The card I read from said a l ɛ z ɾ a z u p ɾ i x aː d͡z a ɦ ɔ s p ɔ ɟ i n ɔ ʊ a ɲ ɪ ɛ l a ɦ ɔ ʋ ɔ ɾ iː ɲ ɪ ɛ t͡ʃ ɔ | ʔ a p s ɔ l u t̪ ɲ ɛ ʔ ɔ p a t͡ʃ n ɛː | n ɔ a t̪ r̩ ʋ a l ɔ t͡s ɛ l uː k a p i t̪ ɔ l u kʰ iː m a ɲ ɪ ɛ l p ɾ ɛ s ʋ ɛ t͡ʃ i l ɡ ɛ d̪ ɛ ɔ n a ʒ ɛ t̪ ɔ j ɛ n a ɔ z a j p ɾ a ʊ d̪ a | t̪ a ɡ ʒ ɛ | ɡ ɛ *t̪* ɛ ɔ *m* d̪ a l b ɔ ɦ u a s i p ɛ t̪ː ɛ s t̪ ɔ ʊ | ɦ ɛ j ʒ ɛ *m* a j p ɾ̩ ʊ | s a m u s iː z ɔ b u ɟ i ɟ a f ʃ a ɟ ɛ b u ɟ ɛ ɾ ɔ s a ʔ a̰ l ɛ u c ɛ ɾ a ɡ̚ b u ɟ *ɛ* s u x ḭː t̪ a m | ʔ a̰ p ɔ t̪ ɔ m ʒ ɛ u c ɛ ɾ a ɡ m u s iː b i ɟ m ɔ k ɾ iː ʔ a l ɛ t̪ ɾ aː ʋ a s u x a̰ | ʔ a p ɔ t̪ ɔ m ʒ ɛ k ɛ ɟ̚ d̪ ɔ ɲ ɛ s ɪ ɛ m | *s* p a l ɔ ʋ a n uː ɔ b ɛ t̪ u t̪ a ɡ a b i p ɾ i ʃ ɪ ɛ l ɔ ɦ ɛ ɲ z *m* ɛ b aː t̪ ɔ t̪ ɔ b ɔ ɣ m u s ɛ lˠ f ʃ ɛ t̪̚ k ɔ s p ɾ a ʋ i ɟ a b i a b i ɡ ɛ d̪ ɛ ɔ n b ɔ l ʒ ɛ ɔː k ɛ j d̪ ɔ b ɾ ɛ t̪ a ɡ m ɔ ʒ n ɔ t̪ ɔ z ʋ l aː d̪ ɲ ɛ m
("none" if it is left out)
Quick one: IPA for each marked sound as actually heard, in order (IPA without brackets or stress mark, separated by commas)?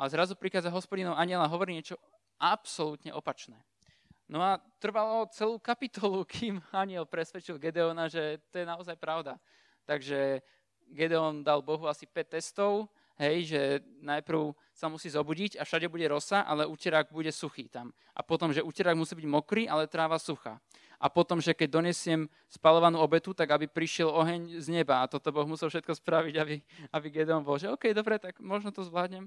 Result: d̪, n, n, ɛ, s, ɲ